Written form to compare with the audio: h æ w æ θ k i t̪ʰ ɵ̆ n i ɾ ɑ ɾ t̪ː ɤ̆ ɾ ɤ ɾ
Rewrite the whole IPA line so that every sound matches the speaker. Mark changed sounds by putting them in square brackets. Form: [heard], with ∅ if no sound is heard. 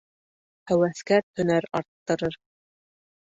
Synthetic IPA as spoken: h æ w æ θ k [æ] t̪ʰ ɵ̆ n [æ] ɾ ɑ ɾ t̪ː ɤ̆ ɾ ɤ ɾ